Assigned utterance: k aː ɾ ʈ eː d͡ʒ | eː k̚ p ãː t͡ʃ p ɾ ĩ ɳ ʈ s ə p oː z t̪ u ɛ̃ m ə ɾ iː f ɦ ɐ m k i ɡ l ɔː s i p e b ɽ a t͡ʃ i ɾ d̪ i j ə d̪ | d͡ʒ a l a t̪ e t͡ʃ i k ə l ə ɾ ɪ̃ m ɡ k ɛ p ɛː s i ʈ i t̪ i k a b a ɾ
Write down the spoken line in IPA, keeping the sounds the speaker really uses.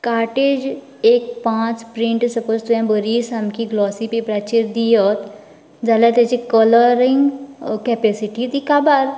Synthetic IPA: k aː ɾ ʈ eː d͡ʒ | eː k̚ p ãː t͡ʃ p ɾ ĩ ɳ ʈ s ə p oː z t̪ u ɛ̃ b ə ɾ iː s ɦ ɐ m k i ɡ l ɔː s i p e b ɾ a t͡ʃ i ɾ d̪ i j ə t̪ | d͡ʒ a l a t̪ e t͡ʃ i k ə l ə ɾ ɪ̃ ŋ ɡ k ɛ p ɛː s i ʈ i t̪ i k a b a ɾ